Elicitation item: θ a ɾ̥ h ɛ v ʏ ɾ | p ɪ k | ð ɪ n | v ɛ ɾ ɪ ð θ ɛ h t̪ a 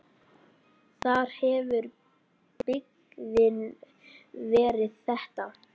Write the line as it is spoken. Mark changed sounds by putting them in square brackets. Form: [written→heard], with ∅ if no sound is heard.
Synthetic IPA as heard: θ a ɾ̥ h ɛ v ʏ ɾ | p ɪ k | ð ɪ n | v [ɛ→ɛː] ɾ ɪ ð θ ɛ h t̪ a